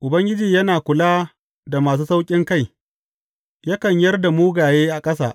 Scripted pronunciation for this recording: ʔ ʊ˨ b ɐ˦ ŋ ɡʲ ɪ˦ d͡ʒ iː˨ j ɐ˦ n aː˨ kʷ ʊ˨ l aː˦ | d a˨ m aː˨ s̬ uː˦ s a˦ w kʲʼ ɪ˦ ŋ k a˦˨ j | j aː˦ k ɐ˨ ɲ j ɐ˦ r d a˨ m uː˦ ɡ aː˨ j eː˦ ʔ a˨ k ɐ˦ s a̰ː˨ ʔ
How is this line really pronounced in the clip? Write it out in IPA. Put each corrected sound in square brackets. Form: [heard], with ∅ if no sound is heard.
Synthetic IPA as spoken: ʔ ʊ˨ b ɐ˦ ŋ ɡʲ ɪ˦ d͡ʒ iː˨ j ɐ˦ n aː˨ kʷ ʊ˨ l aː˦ | d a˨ m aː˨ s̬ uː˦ s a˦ w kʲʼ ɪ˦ ŋ k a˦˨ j | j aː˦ k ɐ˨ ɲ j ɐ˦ r d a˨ m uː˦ ɡ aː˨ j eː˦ ʔ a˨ [kʼ] ɐ˦ s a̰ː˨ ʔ